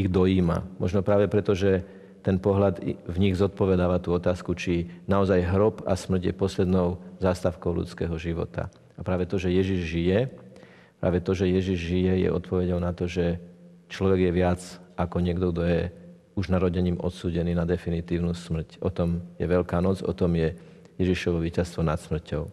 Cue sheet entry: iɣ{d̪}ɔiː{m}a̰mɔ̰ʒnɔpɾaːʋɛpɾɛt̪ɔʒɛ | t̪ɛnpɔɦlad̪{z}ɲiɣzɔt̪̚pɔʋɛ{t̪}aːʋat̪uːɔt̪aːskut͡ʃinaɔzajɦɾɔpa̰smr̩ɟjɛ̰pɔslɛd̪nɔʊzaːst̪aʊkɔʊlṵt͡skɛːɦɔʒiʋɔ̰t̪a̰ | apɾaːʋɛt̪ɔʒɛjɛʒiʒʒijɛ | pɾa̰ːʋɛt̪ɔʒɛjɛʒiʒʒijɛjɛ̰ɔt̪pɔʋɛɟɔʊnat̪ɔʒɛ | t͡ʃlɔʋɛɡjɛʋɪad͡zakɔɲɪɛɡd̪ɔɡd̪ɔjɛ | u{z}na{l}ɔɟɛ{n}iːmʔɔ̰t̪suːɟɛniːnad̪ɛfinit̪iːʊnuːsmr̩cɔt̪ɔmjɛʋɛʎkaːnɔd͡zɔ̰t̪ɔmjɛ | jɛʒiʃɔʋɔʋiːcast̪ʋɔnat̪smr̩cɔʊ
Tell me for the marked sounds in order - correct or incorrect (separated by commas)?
correct, correct, incorrect, incorrect, incorrect, incorrect, incorrect